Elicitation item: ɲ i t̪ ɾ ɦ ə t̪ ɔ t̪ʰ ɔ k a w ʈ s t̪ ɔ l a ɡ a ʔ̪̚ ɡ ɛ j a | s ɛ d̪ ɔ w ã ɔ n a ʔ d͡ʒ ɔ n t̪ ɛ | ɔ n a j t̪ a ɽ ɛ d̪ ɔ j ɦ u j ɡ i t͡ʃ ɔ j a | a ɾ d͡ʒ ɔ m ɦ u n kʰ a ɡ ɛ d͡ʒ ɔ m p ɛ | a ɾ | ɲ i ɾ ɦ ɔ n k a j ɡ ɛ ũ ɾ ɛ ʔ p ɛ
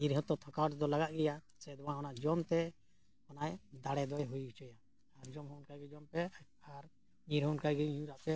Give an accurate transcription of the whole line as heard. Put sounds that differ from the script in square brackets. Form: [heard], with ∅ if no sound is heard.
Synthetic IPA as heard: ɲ i [∅] ɾ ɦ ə t̪ ɔ t̪ʰ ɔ k a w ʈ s [d̪] ɔ l a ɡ a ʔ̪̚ ɡ ɛ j a | s ɛ d̪ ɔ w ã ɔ n a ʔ d͡ʒ ɔ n t̪ ɛ | ɔ n a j [d̪] a ɽ ɛ d̪ ɔ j ɦ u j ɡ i t͡ʃ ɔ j a | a ɾ d͡ʒ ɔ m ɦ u n [k] a ɡ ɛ d͡ʒ ɔ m p ɛ | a ɾ | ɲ i ɾ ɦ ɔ n k a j ɡ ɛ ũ ɾ [a] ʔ p ɛ